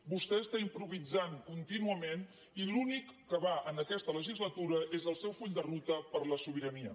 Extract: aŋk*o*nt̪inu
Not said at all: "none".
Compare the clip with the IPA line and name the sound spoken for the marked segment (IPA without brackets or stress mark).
u